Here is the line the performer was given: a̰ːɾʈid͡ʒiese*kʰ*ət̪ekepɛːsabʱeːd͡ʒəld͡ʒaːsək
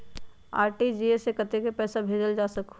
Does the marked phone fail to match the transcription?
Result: yes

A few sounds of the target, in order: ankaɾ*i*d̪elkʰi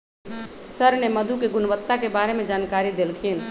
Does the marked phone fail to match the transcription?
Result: no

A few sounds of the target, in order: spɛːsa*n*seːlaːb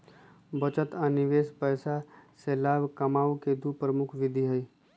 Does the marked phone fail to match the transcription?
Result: yes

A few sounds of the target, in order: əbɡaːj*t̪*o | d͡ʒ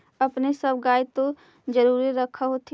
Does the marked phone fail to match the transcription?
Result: no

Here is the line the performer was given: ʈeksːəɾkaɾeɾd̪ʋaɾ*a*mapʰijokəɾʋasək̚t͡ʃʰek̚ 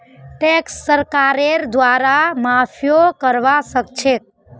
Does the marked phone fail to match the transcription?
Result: no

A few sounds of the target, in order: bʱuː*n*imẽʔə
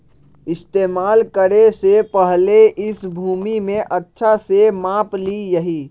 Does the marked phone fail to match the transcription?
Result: yes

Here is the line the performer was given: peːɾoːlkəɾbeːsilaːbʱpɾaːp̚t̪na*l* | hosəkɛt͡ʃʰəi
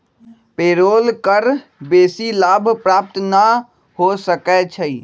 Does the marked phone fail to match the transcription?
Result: yes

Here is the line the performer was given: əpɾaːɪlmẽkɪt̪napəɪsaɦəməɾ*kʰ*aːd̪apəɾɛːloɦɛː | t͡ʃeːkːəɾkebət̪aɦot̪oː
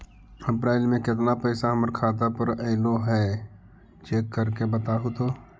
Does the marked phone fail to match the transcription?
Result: no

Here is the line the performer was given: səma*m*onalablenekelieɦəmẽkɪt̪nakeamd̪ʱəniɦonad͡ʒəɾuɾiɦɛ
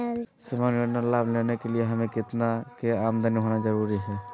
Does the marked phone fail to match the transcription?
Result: yes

